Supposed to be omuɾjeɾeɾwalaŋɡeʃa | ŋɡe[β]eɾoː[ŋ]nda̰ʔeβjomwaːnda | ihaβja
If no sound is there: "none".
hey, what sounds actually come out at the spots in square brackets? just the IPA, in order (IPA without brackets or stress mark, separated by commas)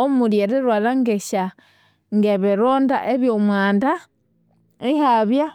β, none